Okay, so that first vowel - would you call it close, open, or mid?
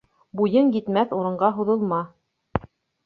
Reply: close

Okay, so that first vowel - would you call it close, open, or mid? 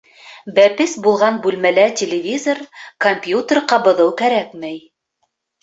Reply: open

